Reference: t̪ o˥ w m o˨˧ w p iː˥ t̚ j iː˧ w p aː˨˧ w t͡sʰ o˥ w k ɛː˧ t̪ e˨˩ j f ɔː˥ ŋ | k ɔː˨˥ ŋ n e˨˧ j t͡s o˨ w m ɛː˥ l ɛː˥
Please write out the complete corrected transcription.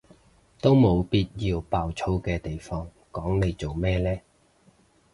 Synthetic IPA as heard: t̪ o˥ w m o˨˧ w p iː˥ t̚ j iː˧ w p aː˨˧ w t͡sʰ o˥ w k ɛː˧ t̪ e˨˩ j f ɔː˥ ŋ | k ɔː˨˥ ŋ n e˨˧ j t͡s o˨ w m ɛː˥ l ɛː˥